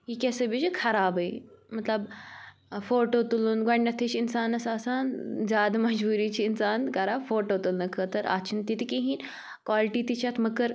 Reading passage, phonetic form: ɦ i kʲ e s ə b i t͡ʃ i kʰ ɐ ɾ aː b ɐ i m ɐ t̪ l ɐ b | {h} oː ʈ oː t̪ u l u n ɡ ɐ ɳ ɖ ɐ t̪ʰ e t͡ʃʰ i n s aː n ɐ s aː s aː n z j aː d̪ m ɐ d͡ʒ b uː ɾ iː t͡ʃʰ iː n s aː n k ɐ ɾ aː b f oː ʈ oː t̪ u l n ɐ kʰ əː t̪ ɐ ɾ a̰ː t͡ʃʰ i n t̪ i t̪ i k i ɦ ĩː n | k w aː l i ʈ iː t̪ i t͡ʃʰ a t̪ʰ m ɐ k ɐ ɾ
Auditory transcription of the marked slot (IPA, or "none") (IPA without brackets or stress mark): f